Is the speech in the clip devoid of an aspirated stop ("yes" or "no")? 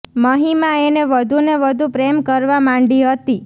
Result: yes